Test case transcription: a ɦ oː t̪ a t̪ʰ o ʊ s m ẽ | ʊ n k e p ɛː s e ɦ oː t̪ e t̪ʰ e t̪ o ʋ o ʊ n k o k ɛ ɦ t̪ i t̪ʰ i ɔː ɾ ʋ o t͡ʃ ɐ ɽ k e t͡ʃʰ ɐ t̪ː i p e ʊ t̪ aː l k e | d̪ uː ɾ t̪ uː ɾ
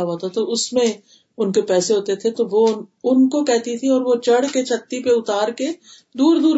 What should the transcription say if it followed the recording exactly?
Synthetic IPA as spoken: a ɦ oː t̪ a t̪ o ʊ s m ẽ | ʊ n k e p ɛː s e ɦ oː t̪ e t̪ʰ e t̪ o ʋ o ʊ n k o k ɛ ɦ t̪ i t̪ʰ i ɔː ɾ ʋ o t͡ʃ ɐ ɽ k e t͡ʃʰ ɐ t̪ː i p e ʊ t̪ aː ɾ k e | d̪ uː ɾ d̪ uː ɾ